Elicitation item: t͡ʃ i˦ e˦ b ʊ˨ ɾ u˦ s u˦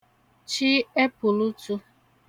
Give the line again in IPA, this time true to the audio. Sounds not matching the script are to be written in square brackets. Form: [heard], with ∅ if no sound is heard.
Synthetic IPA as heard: t͡ʃ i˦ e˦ [p] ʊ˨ [l] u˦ [t] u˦